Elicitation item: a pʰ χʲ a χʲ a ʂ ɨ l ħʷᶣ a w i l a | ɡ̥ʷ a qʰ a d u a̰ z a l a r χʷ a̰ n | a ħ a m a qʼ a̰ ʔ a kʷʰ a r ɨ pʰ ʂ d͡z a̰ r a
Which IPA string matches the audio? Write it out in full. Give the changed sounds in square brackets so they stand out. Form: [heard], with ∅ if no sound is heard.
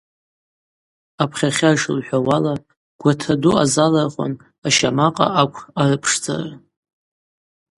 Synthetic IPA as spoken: a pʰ χʲ a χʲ a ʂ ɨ l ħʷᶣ a w [a] l a | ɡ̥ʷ a [tʰ] a d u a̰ z a l a r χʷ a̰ n | a [ʃ] a m a qʼ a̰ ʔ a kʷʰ a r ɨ pʰ ʂ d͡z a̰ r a